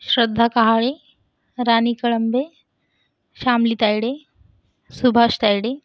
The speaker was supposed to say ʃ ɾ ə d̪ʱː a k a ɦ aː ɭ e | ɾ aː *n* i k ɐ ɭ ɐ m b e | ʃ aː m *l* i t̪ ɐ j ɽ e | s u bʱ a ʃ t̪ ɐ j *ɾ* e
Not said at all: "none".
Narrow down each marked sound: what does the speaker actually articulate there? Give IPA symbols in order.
n, l, ɽ

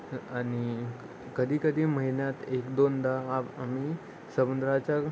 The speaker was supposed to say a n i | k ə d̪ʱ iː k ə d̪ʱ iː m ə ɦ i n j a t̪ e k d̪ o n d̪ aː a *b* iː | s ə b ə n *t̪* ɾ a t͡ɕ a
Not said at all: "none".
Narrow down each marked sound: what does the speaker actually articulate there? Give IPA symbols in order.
m, d̪

